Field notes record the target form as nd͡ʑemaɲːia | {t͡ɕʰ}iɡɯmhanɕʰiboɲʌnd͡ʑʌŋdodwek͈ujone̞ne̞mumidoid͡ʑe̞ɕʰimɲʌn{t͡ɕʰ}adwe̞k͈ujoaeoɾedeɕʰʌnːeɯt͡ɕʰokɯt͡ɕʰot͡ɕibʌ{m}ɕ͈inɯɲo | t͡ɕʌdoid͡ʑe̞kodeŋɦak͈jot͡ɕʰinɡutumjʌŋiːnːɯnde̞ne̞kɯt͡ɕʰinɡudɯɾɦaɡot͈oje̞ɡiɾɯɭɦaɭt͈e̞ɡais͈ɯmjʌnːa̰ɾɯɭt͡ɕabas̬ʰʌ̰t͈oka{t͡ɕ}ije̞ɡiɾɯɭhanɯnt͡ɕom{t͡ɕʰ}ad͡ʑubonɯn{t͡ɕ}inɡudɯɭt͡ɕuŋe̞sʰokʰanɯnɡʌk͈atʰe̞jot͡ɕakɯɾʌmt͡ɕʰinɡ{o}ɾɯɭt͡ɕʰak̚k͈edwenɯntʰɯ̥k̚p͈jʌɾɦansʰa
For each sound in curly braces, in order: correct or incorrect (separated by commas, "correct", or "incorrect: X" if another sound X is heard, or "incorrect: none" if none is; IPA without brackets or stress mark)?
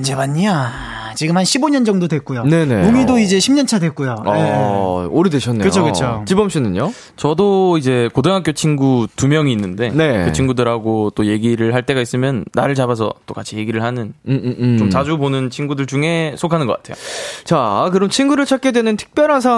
incorrect: t͡ɕ, correct, correct, incorrect: t͡ɕʰ, incorrect: t͡ɕ, incorrect: t͡ɕʰ, incorrect: u